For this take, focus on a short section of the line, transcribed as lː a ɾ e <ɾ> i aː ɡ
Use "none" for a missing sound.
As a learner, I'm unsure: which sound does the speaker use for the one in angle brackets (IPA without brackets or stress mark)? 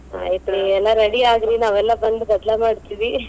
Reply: ɽ